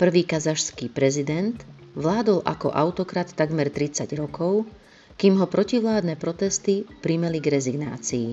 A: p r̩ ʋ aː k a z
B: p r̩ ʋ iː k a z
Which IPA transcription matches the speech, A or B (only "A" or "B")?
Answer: B